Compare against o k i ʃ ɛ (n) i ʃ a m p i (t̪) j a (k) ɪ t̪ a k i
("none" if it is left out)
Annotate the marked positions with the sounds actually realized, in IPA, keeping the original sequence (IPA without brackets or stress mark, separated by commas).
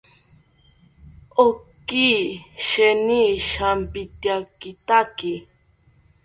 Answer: n, t̪, k